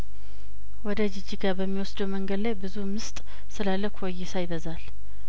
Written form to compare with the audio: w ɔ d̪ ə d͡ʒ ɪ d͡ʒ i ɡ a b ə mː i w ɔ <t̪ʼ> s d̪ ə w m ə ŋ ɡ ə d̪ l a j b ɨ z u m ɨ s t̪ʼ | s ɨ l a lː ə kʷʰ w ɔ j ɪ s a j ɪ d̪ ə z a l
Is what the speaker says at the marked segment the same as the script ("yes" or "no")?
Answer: no